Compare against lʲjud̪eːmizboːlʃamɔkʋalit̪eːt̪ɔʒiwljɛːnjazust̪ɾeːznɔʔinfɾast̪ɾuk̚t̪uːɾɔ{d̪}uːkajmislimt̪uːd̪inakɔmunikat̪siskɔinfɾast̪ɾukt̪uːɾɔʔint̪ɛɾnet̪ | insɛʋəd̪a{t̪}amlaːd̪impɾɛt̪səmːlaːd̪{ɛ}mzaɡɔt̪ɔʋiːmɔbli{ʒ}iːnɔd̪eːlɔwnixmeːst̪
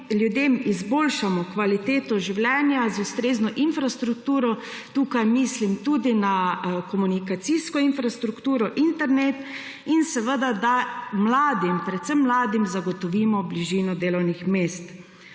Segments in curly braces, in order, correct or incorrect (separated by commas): incorrect, incorrect, incorrect, correct